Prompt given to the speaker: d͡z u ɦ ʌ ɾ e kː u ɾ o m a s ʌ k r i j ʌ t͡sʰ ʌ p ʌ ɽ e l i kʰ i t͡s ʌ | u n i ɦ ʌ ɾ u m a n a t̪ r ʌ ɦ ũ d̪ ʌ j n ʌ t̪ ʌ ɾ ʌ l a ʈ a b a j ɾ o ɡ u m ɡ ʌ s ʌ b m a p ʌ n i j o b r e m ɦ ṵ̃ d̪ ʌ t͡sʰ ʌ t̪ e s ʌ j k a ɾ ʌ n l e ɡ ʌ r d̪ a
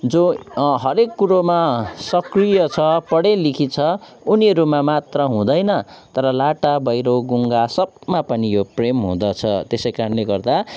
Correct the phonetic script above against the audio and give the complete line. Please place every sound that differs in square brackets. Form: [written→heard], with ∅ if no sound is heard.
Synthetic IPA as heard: d͡z [u→o] ɦ ʌ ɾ e kː u ɾ o m a s ʌ k r i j ʌ t͡sʰ ʌ p ʌ ɽ e l i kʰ i [t͡s→t͡sʰ] ʌ | u n i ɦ ʌ ɾ u m a [n→m] a t̪ r ʌ ɦ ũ d̪ ʌ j n ʌ t̪ ʌ ɾ ʌ l a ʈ a b [a→ʌ] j ɾ o ɡ u [m→ŋ] ɡ [ʌ→a] s ʌ b m a p ʌ n i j o [b→p] r e m ɦ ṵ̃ d̪ ʌ t͡sʰ ʌ t̪ e s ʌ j k a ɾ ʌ n l e ɡ ʌ r d̪ a